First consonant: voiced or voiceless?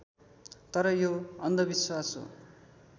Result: voiceless